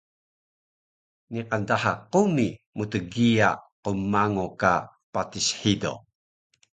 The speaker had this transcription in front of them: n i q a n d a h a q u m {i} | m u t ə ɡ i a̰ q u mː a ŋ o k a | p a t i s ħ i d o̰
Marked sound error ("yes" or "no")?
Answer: no